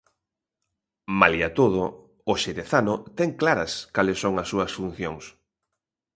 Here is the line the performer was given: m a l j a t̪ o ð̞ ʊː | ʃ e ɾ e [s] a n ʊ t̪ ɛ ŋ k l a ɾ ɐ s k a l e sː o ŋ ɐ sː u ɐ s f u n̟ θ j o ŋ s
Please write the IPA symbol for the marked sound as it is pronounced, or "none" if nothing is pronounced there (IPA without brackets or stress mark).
θ